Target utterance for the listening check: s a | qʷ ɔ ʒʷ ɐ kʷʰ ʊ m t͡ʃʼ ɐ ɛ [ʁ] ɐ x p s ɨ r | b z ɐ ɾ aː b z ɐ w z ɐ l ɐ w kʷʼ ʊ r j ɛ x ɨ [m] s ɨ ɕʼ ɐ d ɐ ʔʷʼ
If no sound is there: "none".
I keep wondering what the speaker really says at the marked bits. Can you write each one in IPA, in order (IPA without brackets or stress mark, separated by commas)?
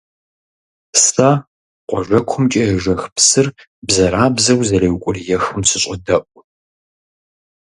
ʒ, m